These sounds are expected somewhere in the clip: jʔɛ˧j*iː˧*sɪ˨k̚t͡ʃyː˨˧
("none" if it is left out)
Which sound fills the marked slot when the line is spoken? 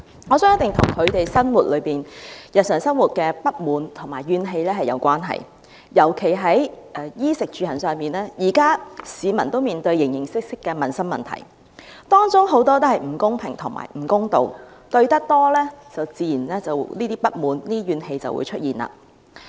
iː˥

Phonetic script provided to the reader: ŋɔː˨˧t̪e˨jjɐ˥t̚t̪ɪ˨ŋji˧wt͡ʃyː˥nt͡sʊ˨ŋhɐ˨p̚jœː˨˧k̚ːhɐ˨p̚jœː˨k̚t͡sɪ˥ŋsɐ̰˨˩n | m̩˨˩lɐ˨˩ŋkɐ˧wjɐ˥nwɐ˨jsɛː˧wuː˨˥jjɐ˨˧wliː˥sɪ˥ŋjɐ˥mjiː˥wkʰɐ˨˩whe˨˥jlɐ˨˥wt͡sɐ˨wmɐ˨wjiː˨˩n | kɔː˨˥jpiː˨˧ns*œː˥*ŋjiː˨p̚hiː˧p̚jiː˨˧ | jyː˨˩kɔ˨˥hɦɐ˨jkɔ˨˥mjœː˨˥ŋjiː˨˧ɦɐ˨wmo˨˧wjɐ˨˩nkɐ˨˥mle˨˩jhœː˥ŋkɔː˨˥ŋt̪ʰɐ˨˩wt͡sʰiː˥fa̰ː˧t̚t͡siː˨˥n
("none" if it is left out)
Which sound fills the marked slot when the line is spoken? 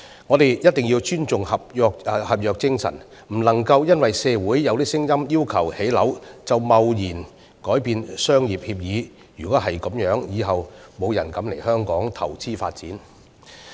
œː˥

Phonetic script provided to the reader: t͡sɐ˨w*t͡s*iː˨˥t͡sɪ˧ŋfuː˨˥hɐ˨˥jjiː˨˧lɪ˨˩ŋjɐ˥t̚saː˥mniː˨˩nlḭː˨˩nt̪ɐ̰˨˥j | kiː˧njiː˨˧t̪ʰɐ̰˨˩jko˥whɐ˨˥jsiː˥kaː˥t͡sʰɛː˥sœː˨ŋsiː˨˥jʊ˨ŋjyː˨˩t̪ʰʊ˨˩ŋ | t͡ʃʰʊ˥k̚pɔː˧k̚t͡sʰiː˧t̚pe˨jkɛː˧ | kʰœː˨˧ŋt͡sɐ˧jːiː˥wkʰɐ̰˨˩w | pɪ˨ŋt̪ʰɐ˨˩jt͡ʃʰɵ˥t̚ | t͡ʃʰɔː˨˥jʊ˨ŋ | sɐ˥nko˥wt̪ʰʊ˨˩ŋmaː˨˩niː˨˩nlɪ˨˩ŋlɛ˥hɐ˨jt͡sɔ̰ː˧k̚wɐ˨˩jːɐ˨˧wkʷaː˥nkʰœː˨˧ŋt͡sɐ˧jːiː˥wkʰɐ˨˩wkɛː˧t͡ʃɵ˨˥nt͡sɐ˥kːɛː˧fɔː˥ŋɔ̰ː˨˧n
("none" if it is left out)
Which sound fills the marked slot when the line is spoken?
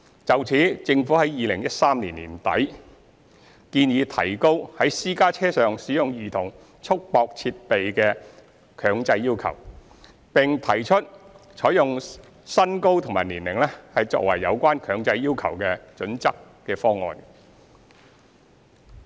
t͡sʰ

